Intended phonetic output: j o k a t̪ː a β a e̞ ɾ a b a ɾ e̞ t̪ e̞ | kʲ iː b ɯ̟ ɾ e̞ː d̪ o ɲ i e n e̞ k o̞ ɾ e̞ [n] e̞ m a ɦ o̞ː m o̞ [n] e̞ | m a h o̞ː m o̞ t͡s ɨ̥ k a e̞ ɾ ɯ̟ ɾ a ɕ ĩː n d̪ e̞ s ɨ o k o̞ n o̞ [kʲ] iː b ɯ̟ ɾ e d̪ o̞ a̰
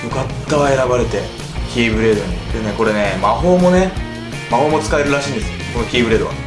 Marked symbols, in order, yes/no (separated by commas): yes, yes, yes